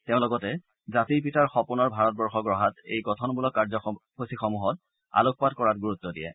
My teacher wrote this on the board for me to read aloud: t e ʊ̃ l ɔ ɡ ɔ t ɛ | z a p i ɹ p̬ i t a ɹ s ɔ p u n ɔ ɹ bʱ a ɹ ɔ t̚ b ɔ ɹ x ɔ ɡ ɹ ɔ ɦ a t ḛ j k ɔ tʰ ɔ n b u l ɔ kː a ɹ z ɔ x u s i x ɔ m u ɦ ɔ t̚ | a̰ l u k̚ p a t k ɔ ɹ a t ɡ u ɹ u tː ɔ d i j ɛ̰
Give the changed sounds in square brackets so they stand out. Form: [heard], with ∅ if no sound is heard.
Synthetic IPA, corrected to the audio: t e ʊ̃ l ɔ ɡ ɔ t ɛ | z a [t] i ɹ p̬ i t a ɹ [x] ɔ p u n ɔ ɹ bʱ a ɹ ɔ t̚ b ɔ ɹ x ɔ ɡ ɹ ɔ ɦ a t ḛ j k ɔ tʰ ɔ n b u l ɔ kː a ɹ z ɔ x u s i x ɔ m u ɦ ɔ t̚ | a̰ l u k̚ p a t k ɔ ɹ a t ɡ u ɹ u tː ɔ d i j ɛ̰